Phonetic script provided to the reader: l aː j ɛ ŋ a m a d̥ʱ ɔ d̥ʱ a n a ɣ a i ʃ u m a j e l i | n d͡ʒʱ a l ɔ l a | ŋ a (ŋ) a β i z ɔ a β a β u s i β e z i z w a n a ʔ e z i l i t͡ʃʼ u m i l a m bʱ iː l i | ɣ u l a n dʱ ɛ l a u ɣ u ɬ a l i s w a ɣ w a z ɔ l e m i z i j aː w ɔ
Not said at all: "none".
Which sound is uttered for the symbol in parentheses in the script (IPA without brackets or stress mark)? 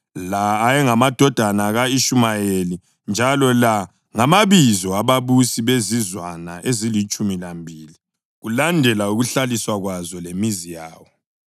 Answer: m